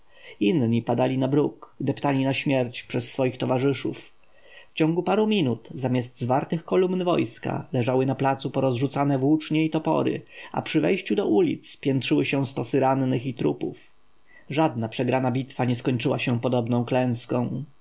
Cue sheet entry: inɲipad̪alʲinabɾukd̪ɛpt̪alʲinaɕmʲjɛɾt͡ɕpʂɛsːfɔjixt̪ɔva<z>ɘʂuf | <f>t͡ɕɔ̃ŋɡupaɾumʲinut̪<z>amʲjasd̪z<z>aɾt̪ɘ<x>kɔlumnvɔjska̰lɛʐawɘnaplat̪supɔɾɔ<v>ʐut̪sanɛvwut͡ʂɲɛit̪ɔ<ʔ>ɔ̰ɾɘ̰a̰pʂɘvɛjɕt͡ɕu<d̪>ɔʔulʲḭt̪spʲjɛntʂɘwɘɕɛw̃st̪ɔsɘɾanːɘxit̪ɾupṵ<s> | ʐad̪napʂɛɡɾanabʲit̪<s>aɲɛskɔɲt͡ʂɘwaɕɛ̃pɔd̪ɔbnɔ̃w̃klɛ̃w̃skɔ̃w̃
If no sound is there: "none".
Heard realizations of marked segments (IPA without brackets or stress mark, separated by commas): ʐ, f, z, v, x, z, p, d̪, f, f